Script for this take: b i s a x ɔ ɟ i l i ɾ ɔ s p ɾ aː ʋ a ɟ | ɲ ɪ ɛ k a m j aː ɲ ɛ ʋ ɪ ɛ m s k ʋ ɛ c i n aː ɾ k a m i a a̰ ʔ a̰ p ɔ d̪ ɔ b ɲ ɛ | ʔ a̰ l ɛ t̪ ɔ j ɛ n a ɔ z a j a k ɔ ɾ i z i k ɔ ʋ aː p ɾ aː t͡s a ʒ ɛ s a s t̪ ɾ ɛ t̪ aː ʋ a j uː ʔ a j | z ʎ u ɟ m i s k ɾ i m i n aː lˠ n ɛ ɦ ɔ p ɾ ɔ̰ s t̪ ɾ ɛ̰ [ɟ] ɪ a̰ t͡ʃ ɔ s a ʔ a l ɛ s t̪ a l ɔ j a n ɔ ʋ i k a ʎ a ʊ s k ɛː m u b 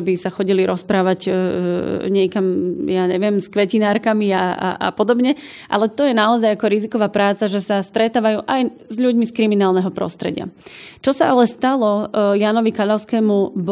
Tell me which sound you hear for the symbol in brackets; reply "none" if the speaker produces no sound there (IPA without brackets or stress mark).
ɟ